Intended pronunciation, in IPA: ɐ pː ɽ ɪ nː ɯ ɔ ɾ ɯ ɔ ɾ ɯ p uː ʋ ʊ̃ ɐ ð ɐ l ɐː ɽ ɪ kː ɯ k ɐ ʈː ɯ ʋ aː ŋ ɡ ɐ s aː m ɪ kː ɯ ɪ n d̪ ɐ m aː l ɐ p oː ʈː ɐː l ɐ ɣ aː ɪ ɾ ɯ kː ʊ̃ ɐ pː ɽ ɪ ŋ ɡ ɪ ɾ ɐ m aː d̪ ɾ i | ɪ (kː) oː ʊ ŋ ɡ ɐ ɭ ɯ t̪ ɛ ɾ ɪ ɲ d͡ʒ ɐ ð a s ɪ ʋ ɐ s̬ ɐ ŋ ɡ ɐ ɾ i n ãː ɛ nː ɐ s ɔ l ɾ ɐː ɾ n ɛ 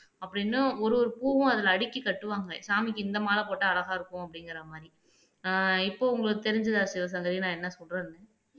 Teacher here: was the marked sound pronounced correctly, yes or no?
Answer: no